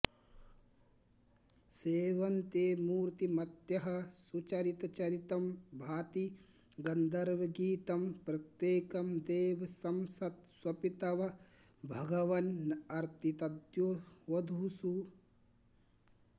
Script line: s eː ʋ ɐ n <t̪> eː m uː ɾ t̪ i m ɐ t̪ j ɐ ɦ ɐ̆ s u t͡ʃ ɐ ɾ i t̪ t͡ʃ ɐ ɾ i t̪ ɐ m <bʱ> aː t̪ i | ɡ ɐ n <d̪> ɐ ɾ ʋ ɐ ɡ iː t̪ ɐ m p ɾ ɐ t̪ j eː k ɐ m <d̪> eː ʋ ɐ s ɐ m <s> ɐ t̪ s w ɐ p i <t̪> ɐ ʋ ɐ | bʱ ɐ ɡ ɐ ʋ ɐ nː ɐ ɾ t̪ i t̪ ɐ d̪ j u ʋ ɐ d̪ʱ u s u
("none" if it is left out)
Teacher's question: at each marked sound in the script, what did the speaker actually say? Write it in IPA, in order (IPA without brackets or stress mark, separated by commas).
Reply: t̪, bʱ, d̪, d̪, s, t̪